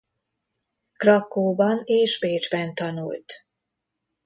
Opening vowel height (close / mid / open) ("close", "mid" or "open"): open